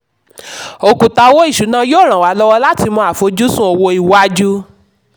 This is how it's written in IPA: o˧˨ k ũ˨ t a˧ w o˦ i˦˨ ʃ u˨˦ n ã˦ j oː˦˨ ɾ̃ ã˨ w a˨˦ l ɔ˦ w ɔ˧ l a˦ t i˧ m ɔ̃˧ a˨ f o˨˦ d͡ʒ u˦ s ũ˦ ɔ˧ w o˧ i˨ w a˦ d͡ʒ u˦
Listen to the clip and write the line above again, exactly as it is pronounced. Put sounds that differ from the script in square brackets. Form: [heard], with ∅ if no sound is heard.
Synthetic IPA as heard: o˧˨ k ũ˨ t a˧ w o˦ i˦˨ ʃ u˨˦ n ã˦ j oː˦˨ ɾ̃ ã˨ w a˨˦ l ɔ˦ w ɔ˧ l a˦ t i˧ m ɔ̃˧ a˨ f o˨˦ d͡ʒ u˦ s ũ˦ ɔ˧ w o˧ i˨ w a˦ d͡ʒ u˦